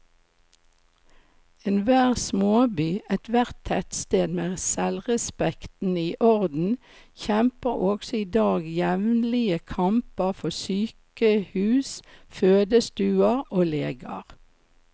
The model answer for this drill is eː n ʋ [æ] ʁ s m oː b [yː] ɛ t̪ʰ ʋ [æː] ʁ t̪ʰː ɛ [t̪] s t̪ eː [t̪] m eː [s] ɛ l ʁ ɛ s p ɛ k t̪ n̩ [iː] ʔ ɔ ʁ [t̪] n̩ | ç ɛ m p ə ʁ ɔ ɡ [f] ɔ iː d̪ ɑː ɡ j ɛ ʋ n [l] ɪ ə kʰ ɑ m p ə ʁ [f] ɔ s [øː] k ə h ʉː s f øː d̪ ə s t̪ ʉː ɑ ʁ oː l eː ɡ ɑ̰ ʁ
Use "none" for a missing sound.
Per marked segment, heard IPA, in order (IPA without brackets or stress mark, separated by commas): æː, yː, æ, t̪, d̪, s, iː, d̪, s, l, f, yː